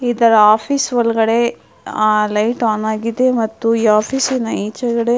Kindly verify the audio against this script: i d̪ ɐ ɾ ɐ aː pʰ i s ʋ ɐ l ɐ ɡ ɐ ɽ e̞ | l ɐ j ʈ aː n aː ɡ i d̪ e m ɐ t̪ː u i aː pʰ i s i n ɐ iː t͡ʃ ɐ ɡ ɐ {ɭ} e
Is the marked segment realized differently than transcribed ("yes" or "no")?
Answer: yes